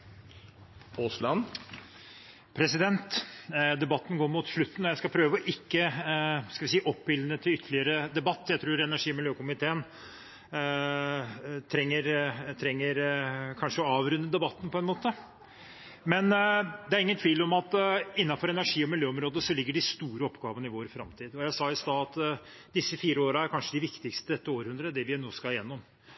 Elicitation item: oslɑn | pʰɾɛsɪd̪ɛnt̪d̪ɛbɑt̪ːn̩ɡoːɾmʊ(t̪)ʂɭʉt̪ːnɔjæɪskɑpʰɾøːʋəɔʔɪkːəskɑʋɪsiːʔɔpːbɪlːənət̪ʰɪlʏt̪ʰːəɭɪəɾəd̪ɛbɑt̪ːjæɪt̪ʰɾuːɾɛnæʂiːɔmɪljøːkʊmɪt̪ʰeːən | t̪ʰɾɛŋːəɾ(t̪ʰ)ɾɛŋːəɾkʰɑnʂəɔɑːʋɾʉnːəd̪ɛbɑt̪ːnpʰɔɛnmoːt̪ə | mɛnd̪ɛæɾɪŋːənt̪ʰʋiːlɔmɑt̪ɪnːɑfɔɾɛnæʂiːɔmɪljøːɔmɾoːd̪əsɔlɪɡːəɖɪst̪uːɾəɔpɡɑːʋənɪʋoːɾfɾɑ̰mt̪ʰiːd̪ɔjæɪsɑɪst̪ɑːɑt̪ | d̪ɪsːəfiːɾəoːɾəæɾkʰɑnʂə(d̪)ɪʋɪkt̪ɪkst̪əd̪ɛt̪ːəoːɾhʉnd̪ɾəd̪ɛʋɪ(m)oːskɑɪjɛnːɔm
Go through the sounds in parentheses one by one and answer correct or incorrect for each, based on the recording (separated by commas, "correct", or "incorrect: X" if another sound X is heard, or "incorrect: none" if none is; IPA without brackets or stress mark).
correct, correct, correct, incorrect: n